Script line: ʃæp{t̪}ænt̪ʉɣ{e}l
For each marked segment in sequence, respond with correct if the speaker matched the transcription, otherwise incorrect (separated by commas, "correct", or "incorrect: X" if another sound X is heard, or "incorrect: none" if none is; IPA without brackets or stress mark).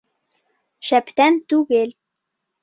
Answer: correct, correct